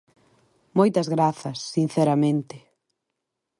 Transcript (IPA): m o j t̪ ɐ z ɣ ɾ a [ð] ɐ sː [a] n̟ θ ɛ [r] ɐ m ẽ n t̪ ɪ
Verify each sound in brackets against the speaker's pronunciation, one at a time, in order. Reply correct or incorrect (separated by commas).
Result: incorrect, incorrect, incorrect